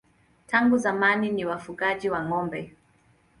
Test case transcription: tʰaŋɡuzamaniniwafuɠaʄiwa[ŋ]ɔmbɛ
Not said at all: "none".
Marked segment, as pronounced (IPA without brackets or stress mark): ŋ